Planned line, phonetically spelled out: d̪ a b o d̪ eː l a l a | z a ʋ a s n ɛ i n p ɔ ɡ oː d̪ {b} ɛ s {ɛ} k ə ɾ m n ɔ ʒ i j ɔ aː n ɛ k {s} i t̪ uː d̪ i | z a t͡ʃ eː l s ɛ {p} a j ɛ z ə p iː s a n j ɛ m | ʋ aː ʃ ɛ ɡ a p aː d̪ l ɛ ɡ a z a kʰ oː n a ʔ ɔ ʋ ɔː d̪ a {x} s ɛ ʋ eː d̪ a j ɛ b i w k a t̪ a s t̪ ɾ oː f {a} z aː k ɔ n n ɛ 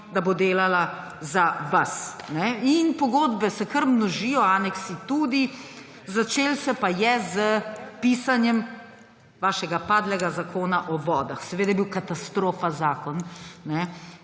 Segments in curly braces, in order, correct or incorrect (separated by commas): correct, correct, correct, correct, correct, correct